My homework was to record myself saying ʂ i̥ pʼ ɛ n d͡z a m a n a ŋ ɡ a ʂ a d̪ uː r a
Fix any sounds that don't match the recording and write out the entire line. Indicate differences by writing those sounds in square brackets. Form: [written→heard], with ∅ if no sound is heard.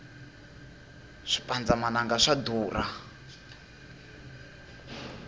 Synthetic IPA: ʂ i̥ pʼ [ɛ→a] n d͡z a m a n a ŋ ɡ a ʂ a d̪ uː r a